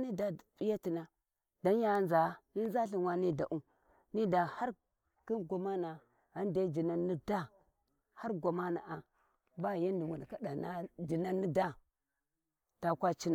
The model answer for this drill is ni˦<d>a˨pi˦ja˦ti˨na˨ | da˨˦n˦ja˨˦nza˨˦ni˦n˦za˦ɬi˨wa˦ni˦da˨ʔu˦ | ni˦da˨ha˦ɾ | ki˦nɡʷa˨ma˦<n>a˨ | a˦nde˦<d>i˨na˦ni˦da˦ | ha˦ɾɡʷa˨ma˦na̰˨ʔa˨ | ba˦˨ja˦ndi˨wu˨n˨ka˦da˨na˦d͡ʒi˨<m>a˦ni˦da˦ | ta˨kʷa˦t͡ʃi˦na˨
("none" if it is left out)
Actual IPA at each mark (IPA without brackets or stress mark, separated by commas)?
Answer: d, n, d͡ʒ, n